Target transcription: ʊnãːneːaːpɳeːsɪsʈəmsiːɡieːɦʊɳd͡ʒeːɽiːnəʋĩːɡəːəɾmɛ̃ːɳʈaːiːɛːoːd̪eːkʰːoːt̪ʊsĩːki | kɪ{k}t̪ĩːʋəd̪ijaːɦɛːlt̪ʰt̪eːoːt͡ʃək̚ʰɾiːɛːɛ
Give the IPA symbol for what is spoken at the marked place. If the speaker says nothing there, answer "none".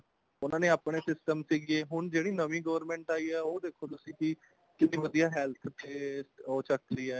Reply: none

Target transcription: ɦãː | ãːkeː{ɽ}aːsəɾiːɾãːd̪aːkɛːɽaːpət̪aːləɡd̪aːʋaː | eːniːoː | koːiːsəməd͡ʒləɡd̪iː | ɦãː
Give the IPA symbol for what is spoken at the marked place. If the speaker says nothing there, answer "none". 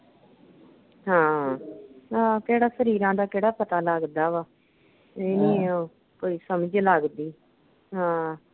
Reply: ɽ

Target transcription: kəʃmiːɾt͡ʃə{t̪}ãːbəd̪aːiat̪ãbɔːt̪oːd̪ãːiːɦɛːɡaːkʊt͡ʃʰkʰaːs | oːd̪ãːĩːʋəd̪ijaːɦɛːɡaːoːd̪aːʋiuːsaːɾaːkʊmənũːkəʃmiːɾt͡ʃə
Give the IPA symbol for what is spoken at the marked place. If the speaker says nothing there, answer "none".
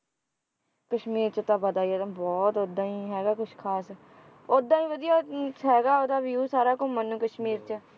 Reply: t̪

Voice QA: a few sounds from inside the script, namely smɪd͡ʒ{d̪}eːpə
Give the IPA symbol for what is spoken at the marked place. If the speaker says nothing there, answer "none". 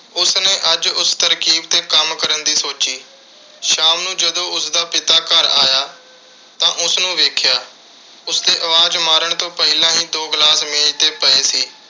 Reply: t̪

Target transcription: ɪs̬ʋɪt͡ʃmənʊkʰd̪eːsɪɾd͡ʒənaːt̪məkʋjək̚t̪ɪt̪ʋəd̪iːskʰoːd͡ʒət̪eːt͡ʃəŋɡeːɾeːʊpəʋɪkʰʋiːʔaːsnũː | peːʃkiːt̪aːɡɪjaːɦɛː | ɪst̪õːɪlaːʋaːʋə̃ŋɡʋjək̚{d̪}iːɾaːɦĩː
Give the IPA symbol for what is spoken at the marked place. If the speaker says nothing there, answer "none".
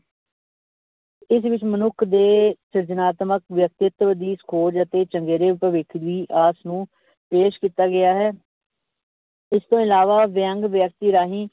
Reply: t̪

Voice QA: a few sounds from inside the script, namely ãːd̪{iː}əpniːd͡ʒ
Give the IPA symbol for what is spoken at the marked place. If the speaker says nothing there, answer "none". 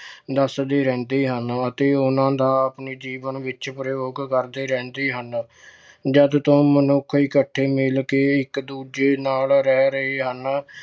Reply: aː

